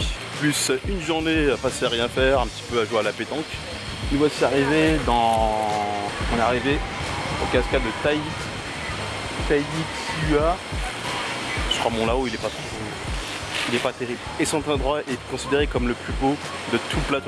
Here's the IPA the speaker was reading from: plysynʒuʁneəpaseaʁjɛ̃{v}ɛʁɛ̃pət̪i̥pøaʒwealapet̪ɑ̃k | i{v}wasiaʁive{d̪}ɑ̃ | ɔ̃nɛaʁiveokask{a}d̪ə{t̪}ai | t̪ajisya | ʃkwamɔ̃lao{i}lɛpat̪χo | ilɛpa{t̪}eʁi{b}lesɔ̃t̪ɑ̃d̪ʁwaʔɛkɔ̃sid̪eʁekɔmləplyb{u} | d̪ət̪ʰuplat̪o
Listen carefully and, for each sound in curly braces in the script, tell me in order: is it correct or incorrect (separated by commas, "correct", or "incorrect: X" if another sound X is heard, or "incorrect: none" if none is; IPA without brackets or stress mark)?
incorrect: f, correct, correct, correct, correct, correct, correct, correct, incorrect: o